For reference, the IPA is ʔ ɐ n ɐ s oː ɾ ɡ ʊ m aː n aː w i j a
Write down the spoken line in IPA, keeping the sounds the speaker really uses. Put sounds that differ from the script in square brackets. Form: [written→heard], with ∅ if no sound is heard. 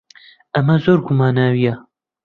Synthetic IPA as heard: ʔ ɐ [n→m] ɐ [s→z] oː ɾ ɡ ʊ m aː n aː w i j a